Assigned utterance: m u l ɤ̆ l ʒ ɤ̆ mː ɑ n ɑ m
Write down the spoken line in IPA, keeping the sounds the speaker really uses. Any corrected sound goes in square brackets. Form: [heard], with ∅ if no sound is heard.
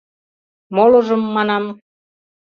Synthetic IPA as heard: m [o] l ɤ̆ [∅] ʒ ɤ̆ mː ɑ n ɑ m